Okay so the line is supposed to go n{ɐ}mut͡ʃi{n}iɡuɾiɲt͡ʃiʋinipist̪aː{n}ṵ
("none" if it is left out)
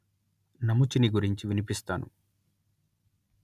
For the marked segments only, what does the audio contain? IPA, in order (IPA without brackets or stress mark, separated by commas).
ɐ, n, n